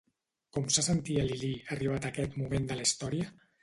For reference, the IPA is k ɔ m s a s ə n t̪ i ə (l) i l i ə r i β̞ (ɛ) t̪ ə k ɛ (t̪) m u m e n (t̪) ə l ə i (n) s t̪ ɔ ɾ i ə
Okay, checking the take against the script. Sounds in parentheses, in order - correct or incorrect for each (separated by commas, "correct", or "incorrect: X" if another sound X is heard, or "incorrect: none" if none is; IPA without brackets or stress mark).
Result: correct, incorrect: a, correct, incorrect: d̪, incorrect: none